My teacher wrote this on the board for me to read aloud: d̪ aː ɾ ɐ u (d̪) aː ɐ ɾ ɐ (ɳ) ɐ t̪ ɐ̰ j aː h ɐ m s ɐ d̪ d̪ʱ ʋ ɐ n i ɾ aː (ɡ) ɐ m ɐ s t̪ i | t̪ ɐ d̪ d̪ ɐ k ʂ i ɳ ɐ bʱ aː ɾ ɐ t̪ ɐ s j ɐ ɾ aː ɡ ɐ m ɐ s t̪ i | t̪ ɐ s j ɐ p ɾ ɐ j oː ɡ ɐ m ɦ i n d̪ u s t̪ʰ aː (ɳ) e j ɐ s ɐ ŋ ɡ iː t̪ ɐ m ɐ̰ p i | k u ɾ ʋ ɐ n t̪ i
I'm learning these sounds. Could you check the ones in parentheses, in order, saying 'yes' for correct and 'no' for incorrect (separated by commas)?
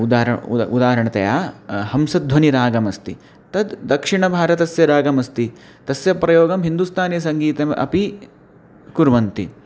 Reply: yes, yes, yes, no